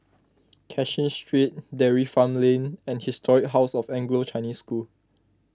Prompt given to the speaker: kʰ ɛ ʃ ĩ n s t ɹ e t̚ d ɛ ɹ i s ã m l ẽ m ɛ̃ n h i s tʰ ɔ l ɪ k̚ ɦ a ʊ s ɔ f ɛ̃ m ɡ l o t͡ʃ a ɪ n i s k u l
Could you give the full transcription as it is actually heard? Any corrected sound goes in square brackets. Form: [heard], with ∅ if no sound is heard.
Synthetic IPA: kʰ ɛ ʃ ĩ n s t ɹ [i] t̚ d ɛ ɹ i [f] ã m l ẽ [n] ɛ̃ n h i s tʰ ɔ [ɹ] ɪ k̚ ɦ a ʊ s ɔ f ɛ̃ [ŋ] ɡ l o t͡ʃ a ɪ n i s k u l